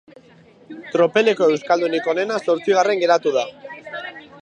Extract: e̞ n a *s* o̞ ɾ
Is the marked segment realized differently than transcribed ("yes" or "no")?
no